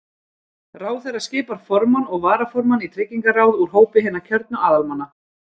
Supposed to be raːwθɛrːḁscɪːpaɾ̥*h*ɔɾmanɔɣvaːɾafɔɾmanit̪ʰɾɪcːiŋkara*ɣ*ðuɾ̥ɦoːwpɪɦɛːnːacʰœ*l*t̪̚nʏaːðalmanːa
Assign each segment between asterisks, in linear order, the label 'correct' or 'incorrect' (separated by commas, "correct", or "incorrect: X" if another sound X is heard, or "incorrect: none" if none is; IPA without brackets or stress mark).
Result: incorrect: f, incorrect: w, incorrect: ɾ